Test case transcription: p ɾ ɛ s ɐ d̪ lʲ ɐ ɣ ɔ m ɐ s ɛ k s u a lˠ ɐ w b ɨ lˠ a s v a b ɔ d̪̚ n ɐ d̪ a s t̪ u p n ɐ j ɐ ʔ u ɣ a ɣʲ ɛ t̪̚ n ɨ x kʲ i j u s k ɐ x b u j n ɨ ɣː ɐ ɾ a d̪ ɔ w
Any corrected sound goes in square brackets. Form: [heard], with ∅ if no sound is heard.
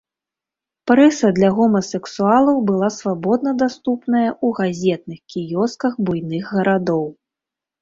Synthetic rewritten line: p ɾ ɛ s ɐ d̪ lʲ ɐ ɣ ɔ m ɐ s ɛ k s u a lˠ ɐ w b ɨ lˠ a s v a b ɔ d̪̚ n ɐ d̪ a s t̪ u p n ɐ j ɐ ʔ u ɣ a [zʲ] ɛ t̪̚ n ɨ x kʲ i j [ɔ] s k ɐ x b u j n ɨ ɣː ɐ ɾ a d̪ ɔ w